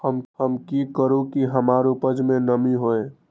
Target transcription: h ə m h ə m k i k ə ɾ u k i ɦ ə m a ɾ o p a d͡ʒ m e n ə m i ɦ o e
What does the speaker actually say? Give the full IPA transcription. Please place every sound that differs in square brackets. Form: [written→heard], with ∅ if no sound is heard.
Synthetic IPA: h ə m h ə m k i k ə ɾ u k i ɦ ə m a ɾ [o→u] p [a→ə] d͡ʒ m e n ə m i ɦ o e